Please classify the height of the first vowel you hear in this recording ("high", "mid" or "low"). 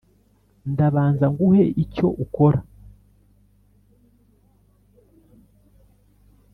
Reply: low